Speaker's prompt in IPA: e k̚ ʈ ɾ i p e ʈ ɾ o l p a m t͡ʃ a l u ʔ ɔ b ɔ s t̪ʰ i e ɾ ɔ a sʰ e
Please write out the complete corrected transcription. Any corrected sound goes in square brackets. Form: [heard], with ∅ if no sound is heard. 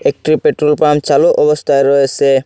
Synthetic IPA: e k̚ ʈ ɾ i p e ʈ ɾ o l p a m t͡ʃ a l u ʔ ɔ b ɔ s t̪ʰ [a] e ɾ ɔ [e] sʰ e

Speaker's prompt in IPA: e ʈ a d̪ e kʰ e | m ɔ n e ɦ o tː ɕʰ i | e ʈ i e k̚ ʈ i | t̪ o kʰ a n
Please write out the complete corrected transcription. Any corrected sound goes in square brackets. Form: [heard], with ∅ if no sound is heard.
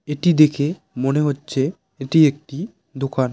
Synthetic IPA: e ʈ [i] d̪ e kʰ e | m [o] n e ɦ o tː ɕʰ [e] | e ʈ i e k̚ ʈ i | [d̪] o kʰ a n

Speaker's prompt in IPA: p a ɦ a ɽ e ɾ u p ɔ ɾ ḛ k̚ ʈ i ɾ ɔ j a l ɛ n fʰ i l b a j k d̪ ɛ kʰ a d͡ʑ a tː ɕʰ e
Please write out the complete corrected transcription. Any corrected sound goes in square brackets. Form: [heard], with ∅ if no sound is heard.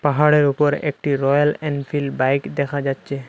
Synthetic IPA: p a ɦ a ɽ e ɾ u p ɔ ɾ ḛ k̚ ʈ i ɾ ɔ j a l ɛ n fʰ i l b a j k d̪ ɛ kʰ a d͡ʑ a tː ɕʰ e

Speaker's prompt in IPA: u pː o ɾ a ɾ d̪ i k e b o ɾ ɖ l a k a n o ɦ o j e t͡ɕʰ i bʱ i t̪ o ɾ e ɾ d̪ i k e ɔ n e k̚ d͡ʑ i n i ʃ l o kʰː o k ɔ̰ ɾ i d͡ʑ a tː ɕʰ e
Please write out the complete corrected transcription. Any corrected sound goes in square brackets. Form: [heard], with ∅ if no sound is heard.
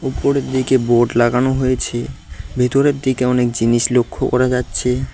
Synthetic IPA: u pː o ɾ [e] ɾ d̪ i k e b o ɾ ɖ l a [ɡ] a n o ɦ o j e t͡ɕʰ [e] bʱ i t̪ o ɾ e ɾ d̪ i k e ɔ n e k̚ d͡ʑ i n i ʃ l o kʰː o k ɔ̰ ɾ [a] d͡ʑ a tː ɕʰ e

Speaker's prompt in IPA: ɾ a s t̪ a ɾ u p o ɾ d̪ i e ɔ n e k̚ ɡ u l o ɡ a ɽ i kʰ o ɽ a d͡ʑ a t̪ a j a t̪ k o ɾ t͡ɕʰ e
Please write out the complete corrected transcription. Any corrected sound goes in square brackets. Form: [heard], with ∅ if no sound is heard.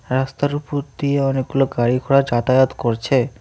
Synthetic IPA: ɾ a s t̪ a ɾ u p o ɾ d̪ i e ɔ n e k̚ ɡ u l o ɡ a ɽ i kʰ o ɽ a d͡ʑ a t̪ a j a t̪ k o ɾ t͡ɕʰ e

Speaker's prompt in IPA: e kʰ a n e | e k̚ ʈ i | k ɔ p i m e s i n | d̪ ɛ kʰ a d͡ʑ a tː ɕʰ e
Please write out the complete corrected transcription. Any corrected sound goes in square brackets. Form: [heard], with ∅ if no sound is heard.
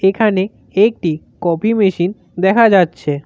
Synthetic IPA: e kʰ a n e | e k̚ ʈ i | k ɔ p i m e [ʃ] i n | d̪ ɛ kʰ a d͡ʑ a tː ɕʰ e

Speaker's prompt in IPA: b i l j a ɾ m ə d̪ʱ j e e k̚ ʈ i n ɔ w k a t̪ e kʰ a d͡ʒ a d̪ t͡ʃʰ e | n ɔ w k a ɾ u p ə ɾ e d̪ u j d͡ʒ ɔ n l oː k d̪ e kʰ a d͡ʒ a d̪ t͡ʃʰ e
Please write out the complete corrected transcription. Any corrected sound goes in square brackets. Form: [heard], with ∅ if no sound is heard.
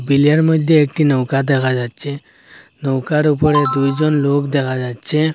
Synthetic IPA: b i l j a ɾ m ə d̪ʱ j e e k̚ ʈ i n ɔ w k a [d̪] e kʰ a d͡ʒ a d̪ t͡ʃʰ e | n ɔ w k a ɾ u p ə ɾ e d̪ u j d͡ʒ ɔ n l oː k d̪ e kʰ a d͡ʒ a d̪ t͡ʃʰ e

